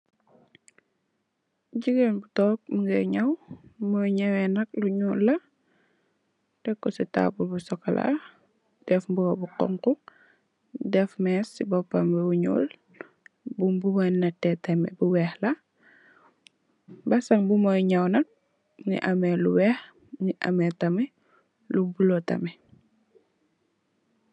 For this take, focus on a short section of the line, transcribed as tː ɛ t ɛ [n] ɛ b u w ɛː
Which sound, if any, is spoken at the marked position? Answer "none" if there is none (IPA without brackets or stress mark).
m